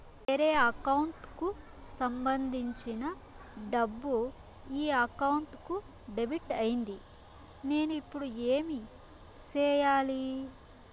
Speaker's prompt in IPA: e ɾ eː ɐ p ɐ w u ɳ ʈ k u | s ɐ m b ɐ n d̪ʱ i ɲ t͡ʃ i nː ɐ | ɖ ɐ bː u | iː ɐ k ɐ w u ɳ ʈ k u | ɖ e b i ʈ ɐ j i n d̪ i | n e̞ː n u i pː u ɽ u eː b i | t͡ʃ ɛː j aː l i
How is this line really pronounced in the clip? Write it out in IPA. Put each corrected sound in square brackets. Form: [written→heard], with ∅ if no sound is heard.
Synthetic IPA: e ɾ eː ɐ [p→k] ɐ w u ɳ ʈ k u | s ɐ m b ɐ n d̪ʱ i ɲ t͡ʃ i [nː→n] ɐ | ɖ ɐ bː u | iː ɐ k ɐ w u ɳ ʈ k u | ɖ e b i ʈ ɐ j i n d̪ i | n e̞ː n u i pː u ɽ u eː [b→m] i | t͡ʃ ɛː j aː l i